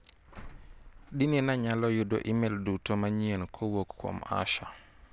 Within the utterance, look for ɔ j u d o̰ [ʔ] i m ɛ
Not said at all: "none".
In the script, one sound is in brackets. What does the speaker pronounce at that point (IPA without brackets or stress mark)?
ʔ